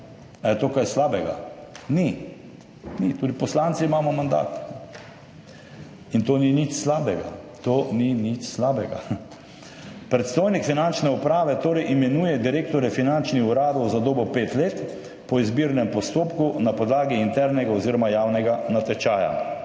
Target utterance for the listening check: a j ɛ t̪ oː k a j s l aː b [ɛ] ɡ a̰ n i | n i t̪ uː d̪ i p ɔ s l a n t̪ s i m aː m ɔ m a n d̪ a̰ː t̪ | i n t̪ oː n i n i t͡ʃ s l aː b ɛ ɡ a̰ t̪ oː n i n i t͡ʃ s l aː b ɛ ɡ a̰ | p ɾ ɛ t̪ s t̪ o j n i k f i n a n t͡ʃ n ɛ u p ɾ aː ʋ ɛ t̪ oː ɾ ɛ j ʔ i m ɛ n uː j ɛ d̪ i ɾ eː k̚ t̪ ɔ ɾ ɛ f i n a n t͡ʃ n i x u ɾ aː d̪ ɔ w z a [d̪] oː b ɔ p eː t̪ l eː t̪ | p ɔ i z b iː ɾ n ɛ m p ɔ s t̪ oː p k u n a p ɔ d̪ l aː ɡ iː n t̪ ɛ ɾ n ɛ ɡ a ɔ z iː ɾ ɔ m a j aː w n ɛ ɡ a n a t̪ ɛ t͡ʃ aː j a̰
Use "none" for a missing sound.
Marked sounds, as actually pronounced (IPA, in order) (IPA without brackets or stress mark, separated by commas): ɛ, d̪